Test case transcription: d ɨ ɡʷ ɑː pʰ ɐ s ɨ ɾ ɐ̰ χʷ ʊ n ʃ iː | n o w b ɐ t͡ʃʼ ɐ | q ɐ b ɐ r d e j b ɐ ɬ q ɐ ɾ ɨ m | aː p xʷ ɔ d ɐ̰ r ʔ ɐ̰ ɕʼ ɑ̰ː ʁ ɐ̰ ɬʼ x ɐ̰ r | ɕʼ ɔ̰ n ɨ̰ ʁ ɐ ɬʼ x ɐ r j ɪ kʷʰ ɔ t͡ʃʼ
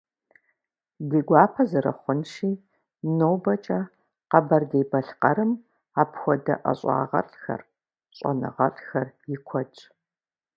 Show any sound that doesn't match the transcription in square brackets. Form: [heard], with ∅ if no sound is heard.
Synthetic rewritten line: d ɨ ɡʷ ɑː pʰ ɐ [z] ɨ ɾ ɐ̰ χʷ ʊ n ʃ iː | n o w b ɐ t͡ʃʼ ɐ | q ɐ b ɐ r d e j b ɐ ɬ q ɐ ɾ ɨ m | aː p xʷ ɔ d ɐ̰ [∅] ʔ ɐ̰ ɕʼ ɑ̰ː ʁ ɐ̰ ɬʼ x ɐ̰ r | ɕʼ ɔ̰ n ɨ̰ ʁ ɐ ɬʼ x ɐ r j ɪ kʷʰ ɔ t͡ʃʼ